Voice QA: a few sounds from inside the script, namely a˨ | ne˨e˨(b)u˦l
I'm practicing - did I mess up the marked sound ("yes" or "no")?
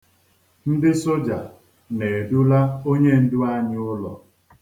yes